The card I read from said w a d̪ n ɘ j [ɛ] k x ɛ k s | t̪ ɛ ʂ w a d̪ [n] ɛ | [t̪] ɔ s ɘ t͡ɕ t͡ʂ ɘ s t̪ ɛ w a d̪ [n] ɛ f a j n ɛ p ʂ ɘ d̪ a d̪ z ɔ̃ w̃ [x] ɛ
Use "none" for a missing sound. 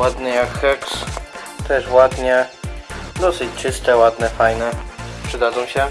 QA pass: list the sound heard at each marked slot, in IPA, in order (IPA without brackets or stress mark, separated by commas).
a, ɲ, d̪, n, ɕ